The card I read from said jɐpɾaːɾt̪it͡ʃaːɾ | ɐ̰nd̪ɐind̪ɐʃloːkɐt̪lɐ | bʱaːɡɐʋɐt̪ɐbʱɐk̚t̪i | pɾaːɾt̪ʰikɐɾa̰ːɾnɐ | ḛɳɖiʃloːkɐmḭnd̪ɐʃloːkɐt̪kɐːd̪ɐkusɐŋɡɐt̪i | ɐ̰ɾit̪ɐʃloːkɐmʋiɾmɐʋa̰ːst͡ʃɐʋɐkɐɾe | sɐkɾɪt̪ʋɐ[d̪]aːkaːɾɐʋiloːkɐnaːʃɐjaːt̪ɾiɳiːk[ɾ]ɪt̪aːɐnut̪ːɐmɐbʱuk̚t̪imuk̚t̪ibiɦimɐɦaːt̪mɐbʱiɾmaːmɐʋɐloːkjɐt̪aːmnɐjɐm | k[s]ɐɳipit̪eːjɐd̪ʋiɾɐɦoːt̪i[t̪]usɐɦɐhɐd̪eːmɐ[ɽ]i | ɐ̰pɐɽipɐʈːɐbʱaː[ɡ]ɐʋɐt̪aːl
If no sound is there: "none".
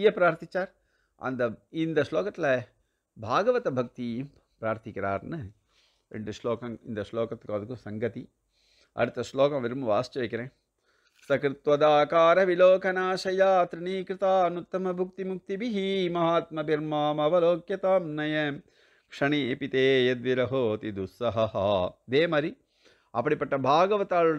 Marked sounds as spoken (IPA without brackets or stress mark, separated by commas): d̪, ɾ, ʂ, d̪, ɾ, ɡ